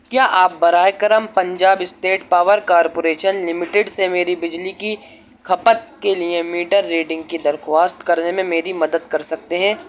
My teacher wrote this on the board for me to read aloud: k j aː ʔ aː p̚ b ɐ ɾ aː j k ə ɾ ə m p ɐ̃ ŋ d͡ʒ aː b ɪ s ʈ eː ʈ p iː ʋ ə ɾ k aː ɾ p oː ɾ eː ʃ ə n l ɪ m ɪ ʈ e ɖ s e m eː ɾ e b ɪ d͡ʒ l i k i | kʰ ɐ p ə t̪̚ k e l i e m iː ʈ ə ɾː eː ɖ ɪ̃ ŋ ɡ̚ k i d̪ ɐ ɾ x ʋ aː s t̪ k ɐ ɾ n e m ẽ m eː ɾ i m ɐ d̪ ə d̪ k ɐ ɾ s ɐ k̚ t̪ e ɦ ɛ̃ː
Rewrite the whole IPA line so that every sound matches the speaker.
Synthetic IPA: k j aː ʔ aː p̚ b ɐ ɾ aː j k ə ɾ ə m p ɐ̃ ɲ d͡ʒ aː b ɪ s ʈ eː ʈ p aː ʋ ə ɾ k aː ɾ p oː ɾ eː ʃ ə n l ɪ m ɪ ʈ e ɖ s e m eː ɾ i b ɪ d͡ʒ l i k i | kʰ ɐ p ə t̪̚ k e l i e m iː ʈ ə ɾː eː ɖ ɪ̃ ŋ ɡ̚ k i d̪ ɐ ɾ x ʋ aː s t̪ k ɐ ɾ n e m ẽ m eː ɾ i m ɐ d̪ ə d̪ k ɐ ɾ s ɐ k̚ t̪ e ɦ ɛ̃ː